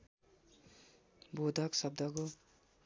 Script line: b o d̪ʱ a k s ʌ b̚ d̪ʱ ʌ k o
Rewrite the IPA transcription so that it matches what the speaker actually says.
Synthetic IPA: b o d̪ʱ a k s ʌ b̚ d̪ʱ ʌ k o